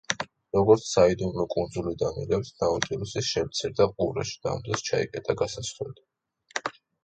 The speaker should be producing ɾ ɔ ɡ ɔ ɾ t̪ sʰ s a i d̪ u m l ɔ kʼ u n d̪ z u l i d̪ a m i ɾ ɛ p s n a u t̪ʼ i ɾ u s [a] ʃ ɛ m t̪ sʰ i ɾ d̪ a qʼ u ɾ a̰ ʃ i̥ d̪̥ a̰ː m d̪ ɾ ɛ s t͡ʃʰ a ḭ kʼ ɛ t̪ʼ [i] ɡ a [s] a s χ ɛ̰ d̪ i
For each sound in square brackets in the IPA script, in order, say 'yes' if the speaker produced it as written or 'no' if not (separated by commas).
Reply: no, no, yes